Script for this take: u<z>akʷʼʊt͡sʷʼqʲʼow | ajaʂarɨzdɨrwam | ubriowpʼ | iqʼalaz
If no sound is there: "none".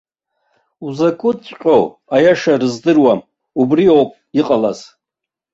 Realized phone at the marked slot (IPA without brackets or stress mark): z